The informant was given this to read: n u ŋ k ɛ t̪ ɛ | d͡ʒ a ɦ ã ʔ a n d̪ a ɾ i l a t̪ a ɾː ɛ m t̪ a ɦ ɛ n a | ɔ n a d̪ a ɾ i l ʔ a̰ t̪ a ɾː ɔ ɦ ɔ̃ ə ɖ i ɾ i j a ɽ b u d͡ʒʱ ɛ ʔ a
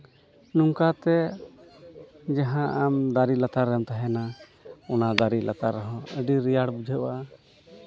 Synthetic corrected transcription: n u ŋ k a t̪ ɛ | d͡ʒ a ɦ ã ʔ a m d̪ a ɾ i l a t̪ a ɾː ɛ m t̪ a ɦ ɛ n a | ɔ n a d̪ a ɾ i l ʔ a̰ t̪ a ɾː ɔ ɦ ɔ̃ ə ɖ i ɾ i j a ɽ b u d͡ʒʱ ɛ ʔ a